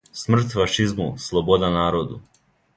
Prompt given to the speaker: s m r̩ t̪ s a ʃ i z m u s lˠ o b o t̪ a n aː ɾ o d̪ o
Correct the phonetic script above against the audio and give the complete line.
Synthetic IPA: s m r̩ t̪ f a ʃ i z m u s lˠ o b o d̪ a n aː ɾ o d̪ u

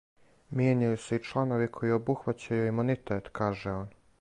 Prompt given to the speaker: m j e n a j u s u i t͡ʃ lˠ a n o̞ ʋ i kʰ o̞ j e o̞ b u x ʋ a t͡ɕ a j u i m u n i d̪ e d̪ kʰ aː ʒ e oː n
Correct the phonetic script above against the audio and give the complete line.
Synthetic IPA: m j e ɲ a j u s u i t͡ʃ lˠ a n o̞ ʋ i kʰ o̞ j i o̞ b u x ʋ a t͡ɕ a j u i m u n i t̪ e t̪ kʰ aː ʒ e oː n

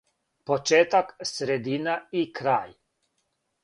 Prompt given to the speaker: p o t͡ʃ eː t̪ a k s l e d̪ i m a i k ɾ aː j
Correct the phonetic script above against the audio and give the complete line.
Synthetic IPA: p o t͡ʃ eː t̪ a k s ɾ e d̪ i n a i k ɾ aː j

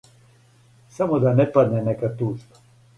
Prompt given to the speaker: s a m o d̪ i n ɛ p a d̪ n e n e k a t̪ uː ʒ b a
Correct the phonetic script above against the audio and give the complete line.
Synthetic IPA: s a m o d̪ a n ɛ p a d̪ n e n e k a t̪ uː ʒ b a

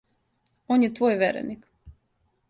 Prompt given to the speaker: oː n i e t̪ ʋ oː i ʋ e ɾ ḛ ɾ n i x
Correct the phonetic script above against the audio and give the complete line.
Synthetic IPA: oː n j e t̪ ʋ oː j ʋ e ɾ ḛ n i k

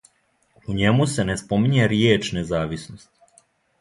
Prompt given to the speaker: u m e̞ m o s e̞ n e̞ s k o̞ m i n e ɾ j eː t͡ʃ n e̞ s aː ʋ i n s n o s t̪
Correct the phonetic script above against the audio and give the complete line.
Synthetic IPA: u ɲ e̞ m u s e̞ n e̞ s p o̞ m i ɲ e ɾ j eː t͡ʃ n e̞ z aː ʋ i s n o s t̪

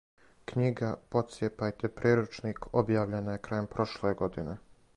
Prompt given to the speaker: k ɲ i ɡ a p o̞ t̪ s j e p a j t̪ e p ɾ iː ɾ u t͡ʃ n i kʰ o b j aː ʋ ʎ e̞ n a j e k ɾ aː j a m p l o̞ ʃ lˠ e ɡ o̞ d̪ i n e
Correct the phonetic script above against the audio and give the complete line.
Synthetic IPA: k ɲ i ɡ a p o̞ t̪ s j e p a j t̪ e p ɾ iː ɾ u t͡ʃ n i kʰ o b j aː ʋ ʎ e̞ n a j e k ɾ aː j e m p ɾ o̞ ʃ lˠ e ɡ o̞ d̪ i n e

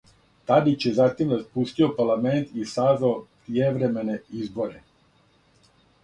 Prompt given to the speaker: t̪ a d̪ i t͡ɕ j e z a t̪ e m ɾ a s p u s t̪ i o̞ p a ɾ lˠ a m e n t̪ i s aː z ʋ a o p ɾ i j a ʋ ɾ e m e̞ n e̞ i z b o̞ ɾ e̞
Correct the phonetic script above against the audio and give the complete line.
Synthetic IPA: t̪ a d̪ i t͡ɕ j e z a t̪ i m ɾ a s p u s t̪ i o̞ p a ɾ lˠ a m e n t̪ i s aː z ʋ a o p ɾ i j e ʋ ɾ e m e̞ n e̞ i z b o̞ ɾ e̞

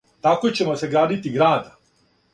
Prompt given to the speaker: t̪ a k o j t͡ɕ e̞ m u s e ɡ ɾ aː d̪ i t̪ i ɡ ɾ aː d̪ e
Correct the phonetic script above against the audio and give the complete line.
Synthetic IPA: t̪ a k o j t͡ɕ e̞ m o s e ɡ ɾ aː d̪ i t̪ i ɡ ɾ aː d̪ a

